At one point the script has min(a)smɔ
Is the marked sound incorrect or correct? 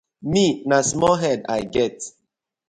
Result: correct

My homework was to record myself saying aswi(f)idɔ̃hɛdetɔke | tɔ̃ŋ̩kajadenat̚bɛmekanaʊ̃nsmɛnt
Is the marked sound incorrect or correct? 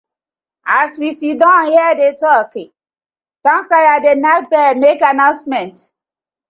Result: incorrect: s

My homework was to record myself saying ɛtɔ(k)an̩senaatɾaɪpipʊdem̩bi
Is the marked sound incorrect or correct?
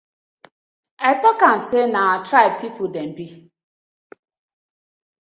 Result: correct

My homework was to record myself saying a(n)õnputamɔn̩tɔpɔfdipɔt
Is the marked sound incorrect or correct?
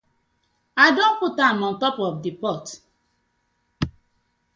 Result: incorrect: d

